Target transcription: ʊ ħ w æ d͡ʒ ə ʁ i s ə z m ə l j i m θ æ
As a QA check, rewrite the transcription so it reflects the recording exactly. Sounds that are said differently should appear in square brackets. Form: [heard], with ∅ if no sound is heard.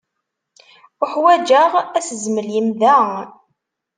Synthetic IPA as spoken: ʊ ħ w æ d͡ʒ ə ʁ [æ] s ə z m ə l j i m [ð] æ